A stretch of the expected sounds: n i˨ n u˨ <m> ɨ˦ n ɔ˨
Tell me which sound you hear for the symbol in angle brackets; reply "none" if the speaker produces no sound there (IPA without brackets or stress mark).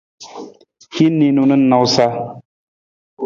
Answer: n